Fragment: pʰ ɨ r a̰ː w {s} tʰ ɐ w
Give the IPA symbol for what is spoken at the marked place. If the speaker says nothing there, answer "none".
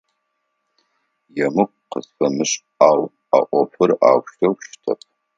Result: ʃ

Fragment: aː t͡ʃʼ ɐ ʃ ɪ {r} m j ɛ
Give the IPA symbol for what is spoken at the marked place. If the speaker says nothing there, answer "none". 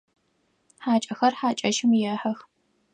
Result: none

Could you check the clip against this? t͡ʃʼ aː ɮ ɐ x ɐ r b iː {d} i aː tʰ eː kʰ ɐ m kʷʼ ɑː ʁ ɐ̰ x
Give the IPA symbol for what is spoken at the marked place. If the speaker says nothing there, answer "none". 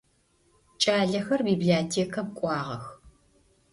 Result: b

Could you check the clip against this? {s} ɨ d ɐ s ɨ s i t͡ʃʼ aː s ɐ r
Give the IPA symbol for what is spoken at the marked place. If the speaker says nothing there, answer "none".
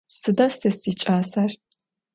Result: s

